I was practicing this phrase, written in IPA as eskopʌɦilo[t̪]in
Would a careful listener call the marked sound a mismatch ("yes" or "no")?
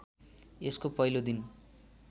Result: yes